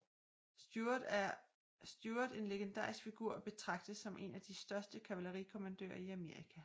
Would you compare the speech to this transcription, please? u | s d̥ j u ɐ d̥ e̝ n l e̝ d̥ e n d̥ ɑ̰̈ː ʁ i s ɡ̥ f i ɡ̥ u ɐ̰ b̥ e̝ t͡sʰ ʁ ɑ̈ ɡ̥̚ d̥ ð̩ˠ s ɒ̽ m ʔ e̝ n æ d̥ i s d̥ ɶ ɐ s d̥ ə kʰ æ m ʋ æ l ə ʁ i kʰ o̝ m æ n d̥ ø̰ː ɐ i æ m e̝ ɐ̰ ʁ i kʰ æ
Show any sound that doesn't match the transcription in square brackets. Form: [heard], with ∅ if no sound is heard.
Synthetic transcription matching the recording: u | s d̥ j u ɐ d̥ e̝ n l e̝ [ɡ̥] e n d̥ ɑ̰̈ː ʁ i s ɡ̥ f i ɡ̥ u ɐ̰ b̥ e̝ t͡sʰ ʁ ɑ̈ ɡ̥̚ d̥ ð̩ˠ s ɒ̽ m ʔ e̝ n æ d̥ i s d̥ ɶ ɐ s d̥ ə kʰ æ [∅] ʋ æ l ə ʁ i kʰ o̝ m æ n d̥ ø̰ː ɐ i æ m e̝ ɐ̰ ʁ i kʰ æ

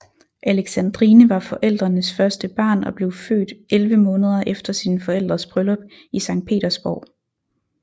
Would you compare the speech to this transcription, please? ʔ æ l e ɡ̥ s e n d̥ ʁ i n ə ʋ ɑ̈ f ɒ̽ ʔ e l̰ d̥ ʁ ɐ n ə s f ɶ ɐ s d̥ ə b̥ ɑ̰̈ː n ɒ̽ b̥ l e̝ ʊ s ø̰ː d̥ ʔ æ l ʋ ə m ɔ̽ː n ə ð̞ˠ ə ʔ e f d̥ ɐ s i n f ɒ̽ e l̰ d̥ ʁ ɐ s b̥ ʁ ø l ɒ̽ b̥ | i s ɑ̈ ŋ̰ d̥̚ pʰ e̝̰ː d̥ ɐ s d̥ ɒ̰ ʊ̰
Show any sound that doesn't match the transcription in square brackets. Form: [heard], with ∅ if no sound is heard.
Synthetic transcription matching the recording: ʔ æ l e ɡ̥ s [æ] n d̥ ʁ i n ə ʋ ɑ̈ f ɒ̽ ʔ e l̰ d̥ ʁ ɐ n ə s f ɶ ɐ s d̥ ə b̥ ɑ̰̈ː n ɒ̽ b̥ l e̝ ʊ [f] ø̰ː d̥ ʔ [e] l ʋ ə m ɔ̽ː n ə ð̞ˠ [ɐ] ʔ e f d̥ ɐ s i n f ɒ̽ e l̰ d̥ ʁ ɐ s b̥ ʁ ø l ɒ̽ b̥ | i s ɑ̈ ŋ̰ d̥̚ pʰ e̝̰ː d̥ ɐ s [b̥] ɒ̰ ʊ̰

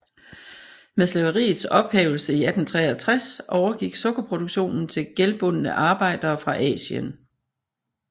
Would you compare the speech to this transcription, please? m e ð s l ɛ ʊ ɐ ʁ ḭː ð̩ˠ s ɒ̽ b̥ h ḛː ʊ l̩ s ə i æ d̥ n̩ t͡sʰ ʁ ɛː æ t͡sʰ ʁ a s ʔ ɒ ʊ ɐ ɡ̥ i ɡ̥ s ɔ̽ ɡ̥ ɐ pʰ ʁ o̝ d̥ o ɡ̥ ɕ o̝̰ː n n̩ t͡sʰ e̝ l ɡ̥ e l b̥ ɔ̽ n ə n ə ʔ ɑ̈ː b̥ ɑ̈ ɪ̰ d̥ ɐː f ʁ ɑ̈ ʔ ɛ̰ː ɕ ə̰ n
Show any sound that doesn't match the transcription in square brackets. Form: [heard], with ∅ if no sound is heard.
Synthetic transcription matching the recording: m e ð s l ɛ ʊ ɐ ʁ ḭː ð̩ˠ s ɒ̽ b̥ h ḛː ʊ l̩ s ə i æ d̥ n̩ t͡sʰ ʁ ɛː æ t͡sʰ ʁ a s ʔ ɒ ʊ ɐ ɡ̥ i ɡ̥ s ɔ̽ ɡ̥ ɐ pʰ ʁ o̝ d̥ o ɡ̥ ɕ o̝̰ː n n̩ t͡sʰ e̝ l ɡ̥ e l b̥ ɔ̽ n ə n ə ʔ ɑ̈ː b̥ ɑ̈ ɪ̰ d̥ ɐː f ʁ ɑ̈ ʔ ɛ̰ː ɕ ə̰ n

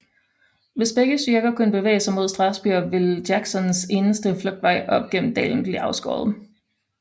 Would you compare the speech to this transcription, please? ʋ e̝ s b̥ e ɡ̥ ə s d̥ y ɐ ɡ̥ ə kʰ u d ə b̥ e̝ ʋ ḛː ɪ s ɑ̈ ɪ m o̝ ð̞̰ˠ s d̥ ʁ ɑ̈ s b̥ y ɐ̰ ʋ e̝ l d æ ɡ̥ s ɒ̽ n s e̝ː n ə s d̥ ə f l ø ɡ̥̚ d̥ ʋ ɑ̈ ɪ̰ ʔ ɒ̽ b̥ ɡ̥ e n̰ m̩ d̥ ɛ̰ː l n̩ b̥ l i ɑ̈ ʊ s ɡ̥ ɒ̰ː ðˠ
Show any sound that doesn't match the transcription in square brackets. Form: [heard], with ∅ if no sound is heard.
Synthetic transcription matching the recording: ʋ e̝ s b̥ e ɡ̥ ə s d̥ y ɐ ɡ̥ [ɐ] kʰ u [n] ə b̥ e̝ ʋ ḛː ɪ s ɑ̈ ɪ m o̝ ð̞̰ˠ s d̥ ʁ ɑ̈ s b̥ y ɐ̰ ʋ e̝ l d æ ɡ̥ s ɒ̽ n s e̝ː n ə s d̥ ə f l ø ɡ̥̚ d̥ ʋ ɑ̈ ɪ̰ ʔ ɒ̽ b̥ ɡ̥ e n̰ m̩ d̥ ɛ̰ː l n̩ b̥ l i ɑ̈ ʊ s ɡ̥ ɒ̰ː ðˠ

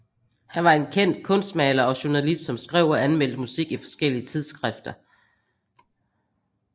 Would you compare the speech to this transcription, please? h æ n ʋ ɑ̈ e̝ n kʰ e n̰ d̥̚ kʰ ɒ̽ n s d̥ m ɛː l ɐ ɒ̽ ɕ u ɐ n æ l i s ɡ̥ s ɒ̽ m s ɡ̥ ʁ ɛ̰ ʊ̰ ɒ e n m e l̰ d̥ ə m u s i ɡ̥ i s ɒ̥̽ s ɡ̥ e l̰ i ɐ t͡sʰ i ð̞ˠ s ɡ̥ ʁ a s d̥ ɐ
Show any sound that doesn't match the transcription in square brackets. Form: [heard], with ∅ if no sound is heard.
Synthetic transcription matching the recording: h æ n ʋ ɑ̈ e̝ n kʰ e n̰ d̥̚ kʰ [ɔ̽] n s d̥ m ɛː l ɐ ɒ̽ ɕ u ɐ n æ l i s [d̥] s ɒ̽ m s ɡ̥ ʁ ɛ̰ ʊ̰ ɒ [æ] n m e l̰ d̥ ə m u s i ɡ̥ i [f] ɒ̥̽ s ɡ̥ e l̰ i [ə] t͡sʰ i ð̞ˠ s ɡ̥ ʁ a [f] d̥ ɐ

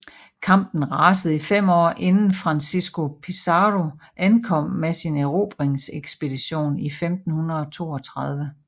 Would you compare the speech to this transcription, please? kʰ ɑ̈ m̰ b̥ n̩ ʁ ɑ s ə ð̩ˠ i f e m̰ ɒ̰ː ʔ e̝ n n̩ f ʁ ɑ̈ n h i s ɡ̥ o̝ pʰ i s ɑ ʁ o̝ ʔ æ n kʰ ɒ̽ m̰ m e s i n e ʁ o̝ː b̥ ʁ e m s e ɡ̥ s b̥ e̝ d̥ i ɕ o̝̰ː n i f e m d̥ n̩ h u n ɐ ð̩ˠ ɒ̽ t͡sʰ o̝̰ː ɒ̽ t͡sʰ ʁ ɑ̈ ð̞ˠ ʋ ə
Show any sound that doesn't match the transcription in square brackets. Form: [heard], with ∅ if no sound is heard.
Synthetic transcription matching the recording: kʰ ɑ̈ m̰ b̥ n̩ ʁ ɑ s ə ð̩ˠ i f e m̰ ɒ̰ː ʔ e̝ n n̩ f ʁ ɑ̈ n [s] i s ɡ̥ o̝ pʰ i s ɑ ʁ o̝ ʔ æ n kʰ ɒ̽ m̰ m e s i n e ʁ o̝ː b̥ ʁ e [ŋ] s e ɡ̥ s b̥ e̝ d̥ i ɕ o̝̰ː n i f e m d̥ n̩ h u n ɐ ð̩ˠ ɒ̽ t͡sʰ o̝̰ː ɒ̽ t͡sʰ ʁ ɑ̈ ð̞ˠ ʋ ə

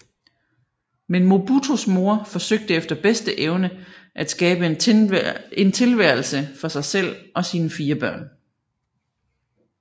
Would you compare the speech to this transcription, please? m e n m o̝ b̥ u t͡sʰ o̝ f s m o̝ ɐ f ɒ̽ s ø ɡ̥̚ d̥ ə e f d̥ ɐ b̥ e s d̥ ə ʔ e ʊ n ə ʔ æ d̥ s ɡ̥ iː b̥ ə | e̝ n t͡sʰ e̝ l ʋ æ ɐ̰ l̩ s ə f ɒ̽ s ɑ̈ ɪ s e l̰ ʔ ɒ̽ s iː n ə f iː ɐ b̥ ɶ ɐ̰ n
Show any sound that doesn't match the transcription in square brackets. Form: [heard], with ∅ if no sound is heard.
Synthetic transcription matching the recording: m e n m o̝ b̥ u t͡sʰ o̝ [∅] s m o̝ ɐ f ɒ̽ s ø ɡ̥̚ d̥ ə e f d̥ ɐ b̥ e s d̥ ə ʔ e ʊ n ə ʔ æ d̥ s ɡ̥ [ɛː] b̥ ə | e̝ n t͡sʰ e̝ l ʋ æ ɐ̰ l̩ s ə f ɒ̽ s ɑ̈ ɪ s e l̰ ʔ ɒ̽ s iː n ə f iː ɐ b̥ ɶ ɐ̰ n

